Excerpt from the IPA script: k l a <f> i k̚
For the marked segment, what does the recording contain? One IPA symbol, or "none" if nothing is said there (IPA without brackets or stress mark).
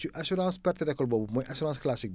s